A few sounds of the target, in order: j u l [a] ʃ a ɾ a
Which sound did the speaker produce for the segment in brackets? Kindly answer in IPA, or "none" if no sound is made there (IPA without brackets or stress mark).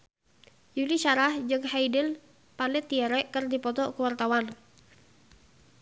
i